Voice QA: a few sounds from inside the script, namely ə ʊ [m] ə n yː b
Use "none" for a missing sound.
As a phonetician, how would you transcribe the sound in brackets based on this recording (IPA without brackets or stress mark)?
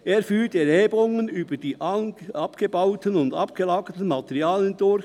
ŋ